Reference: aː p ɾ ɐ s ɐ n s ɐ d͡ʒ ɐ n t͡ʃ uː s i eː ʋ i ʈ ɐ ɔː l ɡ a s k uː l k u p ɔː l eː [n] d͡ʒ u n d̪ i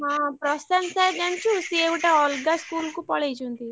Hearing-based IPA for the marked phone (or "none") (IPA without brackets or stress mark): none